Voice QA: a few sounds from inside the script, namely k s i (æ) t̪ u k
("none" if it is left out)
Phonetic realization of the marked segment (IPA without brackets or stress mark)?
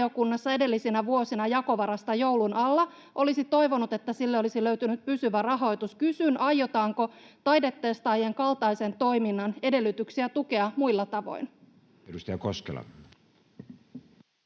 æ